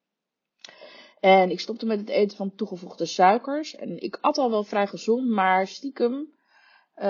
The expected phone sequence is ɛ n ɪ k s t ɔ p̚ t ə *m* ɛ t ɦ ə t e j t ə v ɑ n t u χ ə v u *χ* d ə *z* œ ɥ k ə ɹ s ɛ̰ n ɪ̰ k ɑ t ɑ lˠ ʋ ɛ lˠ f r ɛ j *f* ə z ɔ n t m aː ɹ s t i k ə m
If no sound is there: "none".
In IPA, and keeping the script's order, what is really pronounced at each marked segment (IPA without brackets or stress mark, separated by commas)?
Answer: m, χ, s, χ